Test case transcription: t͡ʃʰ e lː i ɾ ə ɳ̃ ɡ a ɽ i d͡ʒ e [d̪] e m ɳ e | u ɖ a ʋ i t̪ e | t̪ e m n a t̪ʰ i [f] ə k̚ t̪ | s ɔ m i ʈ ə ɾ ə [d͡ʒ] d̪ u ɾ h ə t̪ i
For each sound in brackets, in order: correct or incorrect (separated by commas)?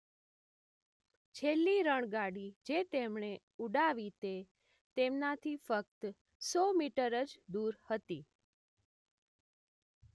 incorrect, correct, correct